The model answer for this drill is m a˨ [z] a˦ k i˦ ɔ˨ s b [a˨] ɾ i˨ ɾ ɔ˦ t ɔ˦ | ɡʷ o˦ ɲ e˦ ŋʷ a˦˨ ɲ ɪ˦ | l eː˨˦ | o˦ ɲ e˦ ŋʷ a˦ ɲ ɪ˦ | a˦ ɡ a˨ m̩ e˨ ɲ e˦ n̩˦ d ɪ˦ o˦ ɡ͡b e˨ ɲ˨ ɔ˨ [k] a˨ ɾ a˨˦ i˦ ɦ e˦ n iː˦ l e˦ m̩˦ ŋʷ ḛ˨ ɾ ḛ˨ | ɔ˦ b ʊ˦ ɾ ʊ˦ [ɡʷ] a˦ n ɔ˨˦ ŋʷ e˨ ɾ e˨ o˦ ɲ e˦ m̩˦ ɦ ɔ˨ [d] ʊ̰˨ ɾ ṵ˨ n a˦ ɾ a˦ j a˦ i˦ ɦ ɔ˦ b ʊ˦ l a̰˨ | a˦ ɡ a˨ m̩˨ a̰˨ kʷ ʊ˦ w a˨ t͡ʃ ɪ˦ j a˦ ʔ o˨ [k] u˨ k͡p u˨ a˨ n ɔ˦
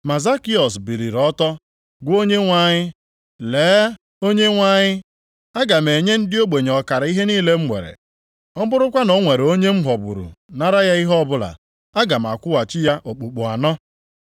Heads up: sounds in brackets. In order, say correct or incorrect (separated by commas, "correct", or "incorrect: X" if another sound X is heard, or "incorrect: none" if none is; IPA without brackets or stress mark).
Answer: correct, incorrect: i˨, correct, incorrect: kʷ, incorrect: b, incorrect: k͡p